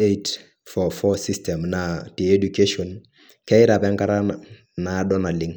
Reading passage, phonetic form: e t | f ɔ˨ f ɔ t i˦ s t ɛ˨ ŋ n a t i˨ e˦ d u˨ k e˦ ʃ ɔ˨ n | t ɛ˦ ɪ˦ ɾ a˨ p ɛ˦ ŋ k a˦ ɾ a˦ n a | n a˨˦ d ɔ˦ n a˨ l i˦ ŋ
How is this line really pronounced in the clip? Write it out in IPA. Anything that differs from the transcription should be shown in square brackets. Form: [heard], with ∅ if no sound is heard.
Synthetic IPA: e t | f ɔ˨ f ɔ [s] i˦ s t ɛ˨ [m] n a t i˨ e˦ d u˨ k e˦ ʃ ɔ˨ n | [k] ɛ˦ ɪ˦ ɾ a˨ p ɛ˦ ŋ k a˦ ɾ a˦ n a | n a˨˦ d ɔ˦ n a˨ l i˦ ŋ